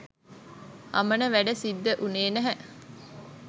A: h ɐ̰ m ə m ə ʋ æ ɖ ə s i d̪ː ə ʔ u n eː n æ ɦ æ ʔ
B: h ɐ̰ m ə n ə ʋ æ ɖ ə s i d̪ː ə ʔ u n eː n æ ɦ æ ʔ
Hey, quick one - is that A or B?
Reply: B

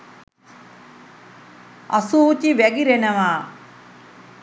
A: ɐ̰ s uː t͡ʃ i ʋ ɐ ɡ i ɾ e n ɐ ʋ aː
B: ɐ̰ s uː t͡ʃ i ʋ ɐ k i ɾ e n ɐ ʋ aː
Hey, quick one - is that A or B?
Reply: A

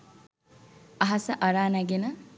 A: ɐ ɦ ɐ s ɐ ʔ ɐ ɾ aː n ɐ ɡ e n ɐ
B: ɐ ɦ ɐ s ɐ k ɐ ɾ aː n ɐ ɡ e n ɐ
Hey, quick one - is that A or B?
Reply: A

